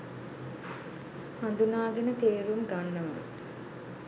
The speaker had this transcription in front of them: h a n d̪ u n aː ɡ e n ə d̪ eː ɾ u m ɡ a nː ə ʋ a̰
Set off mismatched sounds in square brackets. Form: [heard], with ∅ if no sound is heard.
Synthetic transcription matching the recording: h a n d̪ u n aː ɡ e n ə [t̪] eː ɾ u m ɡ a nː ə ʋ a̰